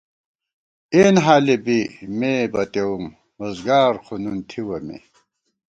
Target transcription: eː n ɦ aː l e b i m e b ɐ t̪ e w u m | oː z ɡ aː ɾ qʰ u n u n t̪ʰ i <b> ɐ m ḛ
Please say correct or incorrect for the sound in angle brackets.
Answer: incorrect